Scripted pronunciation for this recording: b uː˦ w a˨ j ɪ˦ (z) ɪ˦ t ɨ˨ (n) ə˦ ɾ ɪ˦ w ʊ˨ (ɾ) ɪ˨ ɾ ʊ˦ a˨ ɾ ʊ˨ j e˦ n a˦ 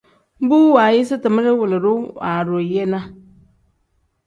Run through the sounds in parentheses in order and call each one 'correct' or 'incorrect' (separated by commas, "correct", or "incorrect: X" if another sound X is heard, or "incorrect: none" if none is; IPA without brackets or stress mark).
incorrect: s, incorrect: m, incorrect: l